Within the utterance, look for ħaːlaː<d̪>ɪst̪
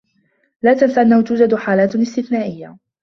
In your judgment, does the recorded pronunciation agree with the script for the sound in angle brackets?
no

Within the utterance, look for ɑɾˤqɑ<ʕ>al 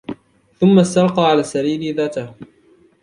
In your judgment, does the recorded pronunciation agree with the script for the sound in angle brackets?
yes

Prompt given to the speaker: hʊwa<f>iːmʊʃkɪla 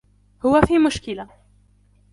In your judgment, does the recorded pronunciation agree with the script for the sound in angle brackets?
yes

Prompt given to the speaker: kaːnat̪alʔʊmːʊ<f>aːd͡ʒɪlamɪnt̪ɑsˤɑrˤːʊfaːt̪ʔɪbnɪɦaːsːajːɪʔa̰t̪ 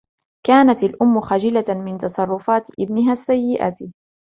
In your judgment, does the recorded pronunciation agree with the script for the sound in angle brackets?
no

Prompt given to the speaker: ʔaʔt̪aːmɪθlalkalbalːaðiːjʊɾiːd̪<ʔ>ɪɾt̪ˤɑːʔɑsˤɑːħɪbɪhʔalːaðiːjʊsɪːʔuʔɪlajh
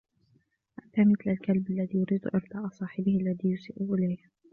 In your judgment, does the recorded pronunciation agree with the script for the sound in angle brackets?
yes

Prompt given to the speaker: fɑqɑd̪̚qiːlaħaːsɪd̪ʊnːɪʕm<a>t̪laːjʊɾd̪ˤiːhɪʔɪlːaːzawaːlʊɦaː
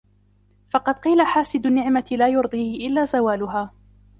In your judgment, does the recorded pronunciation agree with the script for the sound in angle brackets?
yes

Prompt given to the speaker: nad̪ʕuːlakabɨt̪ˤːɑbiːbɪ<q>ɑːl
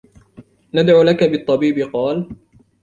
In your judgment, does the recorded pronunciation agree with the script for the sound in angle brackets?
yes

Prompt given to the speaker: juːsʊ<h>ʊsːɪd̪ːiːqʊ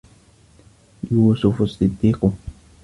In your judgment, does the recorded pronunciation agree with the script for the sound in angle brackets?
no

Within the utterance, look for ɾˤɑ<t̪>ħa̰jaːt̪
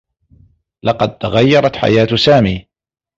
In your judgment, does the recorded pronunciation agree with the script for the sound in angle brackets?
yes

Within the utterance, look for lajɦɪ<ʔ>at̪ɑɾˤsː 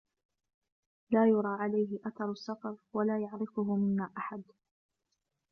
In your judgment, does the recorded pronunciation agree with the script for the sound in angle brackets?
yes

